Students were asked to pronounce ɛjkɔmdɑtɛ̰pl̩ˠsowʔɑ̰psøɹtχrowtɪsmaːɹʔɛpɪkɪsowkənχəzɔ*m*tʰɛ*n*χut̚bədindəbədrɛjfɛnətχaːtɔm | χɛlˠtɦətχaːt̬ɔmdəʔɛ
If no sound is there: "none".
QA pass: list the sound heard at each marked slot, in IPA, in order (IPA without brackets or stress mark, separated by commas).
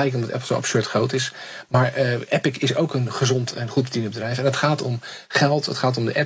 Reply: n, n